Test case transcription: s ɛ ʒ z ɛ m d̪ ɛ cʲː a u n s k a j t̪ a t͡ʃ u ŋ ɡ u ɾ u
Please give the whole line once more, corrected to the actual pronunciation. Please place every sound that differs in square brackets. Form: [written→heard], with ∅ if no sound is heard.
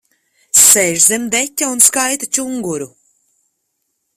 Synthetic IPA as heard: s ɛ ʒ z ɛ m d̪ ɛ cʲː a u n s k a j t̪ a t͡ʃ u ŋ ɡ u ɾ u